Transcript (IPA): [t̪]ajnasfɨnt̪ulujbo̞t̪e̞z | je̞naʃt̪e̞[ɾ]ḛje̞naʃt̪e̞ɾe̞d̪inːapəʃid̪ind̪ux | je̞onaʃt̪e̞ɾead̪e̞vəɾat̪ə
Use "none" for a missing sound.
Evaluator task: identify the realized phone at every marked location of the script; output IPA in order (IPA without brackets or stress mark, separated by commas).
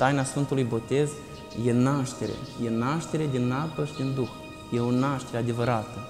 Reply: t̪, ɾ